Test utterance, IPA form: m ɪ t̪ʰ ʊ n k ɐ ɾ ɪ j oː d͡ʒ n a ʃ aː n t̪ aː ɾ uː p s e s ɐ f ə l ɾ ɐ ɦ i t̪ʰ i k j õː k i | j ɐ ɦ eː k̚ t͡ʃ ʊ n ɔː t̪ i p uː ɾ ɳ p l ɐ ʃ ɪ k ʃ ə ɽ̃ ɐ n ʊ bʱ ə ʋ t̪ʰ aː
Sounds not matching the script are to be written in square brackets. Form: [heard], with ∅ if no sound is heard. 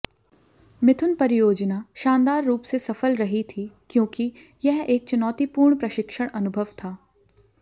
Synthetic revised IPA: m ɪ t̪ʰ ʊ n [p] ɐ ɾ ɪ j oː d͡ʒ n a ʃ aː n [d̪] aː [ɾː] uː p s e s ɐ f ə l ɾ ɐ ɦ i t̪ʰ i k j õː k i | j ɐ ɦ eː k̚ t͡ʃ ʊ n ɔː t̪ i p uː ɾ ɳ p [ɾ] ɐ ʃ ɪ k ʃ ə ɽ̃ ɐ n ʊ bʱ ə ʋ t̪ʰ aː